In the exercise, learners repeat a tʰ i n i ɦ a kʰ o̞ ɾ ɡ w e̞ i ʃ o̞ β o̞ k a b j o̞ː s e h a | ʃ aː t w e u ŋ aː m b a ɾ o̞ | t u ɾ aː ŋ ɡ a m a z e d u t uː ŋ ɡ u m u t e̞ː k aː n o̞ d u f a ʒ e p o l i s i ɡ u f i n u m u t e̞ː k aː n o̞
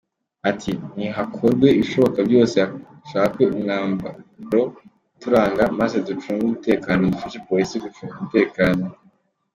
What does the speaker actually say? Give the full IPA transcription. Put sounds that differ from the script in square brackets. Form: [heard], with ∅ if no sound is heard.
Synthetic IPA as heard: a tʰ i n i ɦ a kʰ o̞ ɾ ɡ w e̞ i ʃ o̞ β o̞ k a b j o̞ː s e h a | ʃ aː [k] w e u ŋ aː m b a ɾ o̞ | t u ɾ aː ŋ ɡ a m a z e d u [t͡ʃ] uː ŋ ɡ u m u t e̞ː k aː n o̞ d u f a [ʃ] e p o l i s i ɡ u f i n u m u t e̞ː k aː n o̞